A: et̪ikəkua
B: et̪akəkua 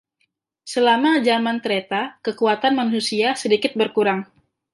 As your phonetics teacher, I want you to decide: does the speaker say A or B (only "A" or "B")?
B